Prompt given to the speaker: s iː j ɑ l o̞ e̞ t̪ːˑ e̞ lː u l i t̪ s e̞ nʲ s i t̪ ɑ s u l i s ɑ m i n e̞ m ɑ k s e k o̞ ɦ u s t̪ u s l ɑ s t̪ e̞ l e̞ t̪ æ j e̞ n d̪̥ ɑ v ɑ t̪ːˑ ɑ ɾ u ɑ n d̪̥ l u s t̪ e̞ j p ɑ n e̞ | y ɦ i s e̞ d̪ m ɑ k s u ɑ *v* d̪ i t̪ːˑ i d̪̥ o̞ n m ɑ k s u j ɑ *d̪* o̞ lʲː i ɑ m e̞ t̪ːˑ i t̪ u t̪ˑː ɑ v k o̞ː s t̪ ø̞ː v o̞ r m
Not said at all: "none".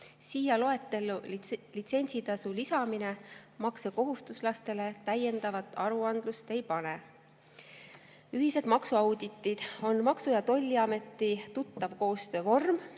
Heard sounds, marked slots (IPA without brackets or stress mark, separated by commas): w, t̪